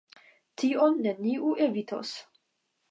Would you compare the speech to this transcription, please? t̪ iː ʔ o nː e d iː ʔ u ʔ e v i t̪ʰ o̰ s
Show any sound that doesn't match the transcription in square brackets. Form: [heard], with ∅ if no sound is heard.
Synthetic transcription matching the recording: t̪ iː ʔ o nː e [n] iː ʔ u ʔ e v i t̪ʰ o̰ s